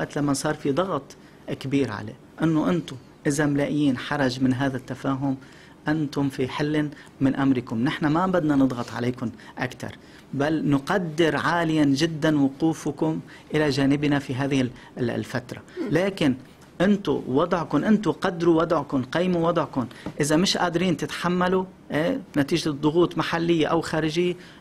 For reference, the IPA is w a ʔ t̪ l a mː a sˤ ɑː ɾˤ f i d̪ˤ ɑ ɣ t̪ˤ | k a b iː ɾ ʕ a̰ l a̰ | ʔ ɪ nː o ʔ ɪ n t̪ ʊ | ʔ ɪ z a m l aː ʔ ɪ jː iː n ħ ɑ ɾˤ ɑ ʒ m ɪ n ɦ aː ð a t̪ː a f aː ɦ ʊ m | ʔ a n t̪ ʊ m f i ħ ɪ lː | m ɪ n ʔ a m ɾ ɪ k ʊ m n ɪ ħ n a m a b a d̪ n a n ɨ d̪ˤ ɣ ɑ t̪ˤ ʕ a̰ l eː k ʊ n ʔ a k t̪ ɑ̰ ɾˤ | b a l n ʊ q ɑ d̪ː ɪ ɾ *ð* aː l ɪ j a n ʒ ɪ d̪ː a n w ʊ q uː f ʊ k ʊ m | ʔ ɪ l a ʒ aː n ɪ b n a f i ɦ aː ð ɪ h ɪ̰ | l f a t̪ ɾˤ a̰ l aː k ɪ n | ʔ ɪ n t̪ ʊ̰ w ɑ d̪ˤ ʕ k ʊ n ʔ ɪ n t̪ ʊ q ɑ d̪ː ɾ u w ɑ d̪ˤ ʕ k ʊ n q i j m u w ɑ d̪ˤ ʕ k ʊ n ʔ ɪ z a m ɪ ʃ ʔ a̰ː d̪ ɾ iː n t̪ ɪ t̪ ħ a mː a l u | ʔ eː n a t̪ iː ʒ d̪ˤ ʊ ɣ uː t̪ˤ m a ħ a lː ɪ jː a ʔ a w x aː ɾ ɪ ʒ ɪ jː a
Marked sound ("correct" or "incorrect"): incorrect